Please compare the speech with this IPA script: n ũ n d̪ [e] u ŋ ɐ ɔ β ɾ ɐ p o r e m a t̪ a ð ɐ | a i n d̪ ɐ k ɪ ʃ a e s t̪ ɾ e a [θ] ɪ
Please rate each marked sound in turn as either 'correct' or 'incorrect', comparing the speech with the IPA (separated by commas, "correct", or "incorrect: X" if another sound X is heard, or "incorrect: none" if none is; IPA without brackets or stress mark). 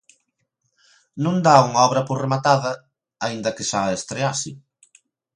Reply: incorrect: a, incorrect: s